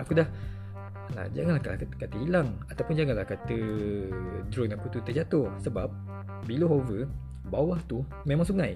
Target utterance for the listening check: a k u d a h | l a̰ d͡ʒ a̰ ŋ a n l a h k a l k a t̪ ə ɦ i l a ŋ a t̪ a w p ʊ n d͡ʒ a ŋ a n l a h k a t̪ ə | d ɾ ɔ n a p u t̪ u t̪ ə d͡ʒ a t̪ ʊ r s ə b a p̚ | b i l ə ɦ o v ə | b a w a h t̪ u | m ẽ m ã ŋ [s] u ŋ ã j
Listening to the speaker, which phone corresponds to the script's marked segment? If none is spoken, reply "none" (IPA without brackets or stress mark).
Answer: s